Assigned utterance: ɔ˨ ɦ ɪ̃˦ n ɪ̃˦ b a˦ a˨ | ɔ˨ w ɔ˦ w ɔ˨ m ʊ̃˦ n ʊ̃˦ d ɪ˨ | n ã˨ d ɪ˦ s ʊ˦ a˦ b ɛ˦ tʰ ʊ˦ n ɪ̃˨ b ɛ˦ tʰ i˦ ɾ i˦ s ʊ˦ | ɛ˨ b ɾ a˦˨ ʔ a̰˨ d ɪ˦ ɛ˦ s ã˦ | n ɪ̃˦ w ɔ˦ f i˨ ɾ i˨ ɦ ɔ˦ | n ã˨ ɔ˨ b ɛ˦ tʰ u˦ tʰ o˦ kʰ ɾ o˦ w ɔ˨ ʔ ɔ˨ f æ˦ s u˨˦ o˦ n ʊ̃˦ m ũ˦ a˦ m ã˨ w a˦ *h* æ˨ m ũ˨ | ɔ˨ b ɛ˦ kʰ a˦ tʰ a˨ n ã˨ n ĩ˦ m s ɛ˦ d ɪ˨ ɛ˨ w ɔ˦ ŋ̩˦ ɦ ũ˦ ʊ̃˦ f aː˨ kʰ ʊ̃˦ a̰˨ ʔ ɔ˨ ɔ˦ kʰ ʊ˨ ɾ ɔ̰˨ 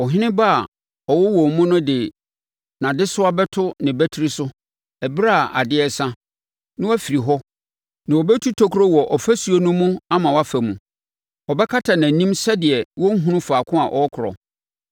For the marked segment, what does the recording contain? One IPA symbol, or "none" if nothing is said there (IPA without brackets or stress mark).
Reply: f